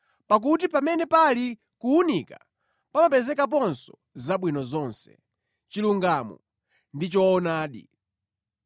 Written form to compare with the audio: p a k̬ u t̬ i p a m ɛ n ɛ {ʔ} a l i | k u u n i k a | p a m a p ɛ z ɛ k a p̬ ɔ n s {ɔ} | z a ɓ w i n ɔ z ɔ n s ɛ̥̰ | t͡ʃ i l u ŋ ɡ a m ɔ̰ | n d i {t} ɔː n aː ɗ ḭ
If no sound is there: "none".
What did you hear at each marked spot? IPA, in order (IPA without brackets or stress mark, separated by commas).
p, ɔ, t͡ʃ